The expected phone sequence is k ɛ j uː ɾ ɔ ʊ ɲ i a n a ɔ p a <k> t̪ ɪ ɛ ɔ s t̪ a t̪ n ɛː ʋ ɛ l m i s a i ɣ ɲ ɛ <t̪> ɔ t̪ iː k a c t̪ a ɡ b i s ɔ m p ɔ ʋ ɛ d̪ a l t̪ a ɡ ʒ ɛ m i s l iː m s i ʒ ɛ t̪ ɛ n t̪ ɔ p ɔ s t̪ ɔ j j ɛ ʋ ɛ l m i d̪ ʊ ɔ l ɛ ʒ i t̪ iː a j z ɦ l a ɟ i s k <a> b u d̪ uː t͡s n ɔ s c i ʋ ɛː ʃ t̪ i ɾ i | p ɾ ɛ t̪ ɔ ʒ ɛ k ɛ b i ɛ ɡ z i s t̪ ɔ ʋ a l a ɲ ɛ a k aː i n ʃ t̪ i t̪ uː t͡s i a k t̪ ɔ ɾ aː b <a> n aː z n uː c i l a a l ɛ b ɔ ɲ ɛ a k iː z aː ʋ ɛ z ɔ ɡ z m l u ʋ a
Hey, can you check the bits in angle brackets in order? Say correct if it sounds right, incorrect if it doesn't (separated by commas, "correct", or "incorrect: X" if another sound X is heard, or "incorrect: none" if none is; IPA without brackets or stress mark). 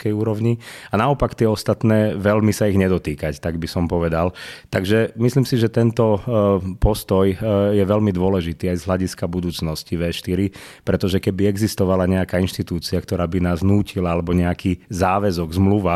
correct, incorrect: d̪, correct, incorrect: i